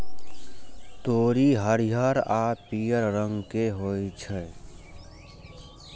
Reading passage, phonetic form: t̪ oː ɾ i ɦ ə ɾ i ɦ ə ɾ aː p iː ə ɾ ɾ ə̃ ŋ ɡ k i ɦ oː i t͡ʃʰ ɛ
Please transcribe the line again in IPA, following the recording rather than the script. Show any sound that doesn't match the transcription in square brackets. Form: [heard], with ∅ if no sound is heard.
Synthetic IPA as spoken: t̪ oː ɾ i ɦ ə ɾ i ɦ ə ɾ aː p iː ə ɾ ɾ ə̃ ŋ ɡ k [e] ɦ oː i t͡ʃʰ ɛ